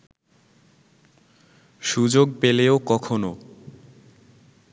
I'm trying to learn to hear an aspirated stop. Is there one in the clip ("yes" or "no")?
yes